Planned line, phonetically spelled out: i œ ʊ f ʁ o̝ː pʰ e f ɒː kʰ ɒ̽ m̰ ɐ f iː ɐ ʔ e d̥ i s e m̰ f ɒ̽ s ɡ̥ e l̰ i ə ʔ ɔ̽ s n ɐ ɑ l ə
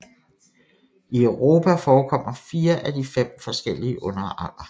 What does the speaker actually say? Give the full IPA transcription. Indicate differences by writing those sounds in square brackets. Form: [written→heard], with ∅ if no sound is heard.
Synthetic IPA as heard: i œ ʊ [f→∅] ʁ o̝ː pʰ [e→æ] f ɒː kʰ ɒ̽ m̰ ɐ f iː ɐ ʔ [e→æ] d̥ i [s→f] e m̰ f ɒ̽ s ɡ̥ e l̰ i ə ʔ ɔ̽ [s→∅] n ɐ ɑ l [ə→ɐ]

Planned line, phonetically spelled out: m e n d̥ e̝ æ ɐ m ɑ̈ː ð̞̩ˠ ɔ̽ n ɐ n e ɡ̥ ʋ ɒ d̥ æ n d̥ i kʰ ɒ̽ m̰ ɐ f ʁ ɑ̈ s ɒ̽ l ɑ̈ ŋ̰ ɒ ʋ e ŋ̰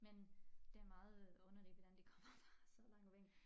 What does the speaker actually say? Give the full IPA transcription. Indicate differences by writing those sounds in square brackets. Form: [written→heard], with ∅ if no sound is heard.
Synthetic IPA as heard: m e n d̥ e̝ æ ɐ m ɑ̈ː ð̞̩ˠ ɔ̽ n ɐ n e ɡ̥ ʋ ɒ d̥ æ n d̥ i kʰ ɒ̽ m̰ ɐ f ʁ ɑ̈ s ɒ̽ l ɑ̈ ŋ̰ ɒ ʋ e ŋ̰

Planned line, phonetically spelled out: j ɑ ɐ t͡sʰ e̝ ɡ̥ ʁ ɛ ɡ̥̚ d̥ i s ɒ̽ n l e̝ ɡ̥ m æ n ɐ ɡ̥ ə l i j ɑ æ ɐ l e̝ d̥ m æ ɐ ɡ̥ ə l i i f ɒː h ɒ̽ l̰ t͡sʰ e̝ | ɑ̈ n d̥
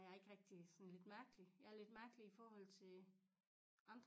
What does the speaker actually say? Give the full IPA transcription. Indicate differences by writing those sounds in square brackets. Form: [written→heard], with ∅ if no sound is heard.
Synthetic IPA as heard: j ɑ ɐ [t͡sʰ→∅] e̝ ɡ̥ ʁ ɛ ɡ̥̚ d̥ i s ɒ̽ n l e̝ [ɡ̥→d̥] m æ [n→∅] ɐ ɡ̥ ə l i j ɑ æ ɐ l e̝ d̥ m æ ɐ ɡ̥ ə l i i f ɒː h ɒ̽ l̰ t͡sʰ e̝ | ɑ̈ n d̥

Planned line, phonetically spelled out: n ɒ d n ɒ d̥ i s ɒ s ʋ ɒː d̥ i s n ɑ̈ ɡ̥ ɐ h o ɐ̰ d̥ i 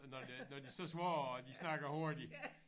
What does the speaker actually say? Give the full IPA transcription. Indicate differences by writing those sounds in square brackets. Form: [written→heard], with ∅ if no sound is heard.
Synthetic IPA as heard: n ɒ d n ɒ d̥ i s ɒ s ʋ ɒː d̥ i s n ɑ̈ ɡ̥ ɐ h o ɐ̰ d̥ i

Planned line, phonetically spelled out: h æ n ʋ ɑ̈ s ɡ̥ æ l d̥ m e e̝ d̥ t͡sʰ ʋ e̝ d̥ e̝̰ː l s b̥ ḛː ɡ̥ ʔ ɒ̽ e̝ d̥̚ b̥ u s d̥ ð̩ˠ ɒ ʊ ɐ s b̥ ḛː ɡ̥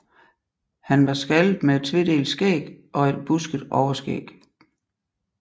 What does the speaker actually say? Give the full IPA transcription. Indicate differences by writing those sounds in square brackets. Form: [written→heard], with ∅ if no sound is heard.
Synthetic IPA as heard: h æ n ʋ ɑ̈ s ɡ̥ æ l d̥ m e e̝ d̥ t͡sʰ ʋ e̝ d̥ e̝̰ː l s [b̥→ɡ̥] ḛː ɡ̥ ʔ ɒ̽ e̝ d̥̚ b̥ u s [d̥→ɡ̥] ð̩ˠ ɒ ʊ ɐ s [b̥→ɡ̥] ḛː ɡ̥

